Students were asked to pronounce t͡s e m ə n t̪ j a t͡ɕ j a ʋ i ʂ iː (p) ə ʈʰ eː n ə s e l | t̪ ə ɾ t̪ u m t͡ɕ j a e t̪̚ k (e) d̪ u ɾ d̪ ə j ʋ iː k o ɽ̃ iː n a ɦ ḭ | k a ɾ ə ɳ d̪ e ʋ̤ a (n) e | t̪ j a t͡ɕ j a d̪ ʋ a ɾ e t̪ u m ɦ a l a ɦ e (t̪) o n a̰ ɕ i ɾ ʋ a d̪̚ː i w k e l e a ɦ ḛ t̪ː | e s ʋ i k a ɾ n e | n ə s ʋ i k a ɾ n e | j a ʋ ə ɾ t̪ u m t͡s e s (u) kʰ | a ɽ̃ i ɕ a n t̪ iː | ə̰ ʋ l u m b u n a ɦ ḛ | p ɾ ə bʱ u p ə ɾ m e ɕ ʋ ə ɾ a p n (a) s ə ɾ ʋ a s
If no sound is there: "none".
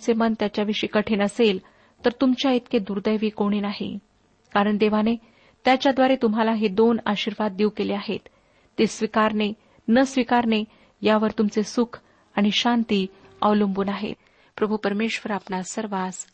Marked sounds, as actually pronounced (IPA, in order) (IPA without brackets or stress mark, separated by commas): k, e, n, d̪, u, a